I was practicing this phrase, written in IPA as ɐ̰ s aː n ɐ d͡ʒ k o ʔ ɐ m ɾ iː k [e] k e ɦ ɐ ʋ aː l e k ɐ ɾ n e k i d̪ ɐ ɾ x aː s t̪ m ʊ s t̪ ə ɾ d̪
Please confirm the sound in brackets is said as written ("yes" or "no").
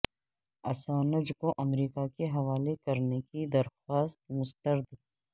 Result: no